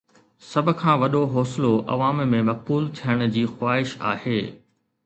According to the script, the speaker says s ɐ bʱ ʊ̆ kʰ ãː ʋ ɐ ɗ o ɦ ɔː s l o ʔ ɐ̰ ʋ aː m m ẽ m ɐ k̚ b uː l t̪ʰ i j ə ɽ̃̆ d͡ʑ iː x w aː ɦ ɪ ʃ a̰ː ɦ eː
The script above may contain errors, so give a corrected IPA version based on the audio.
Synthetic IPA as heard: s ɐ bʱ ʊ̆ kʰ ãː ʋ ɐ ɗ o ɦ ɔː s l o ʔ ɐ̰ ʋ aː m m ẽ m ɐ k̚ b uː l t̪ʰ i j ə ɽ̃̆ d͡ʑ iː x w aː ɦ ɪ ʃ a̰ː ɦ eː